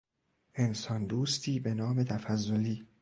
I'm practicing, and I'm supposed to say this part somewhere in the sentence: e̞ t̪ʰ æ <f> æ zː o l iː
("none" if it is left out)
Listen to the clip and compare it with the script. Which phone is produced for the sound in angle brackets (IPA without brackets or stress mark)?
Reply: f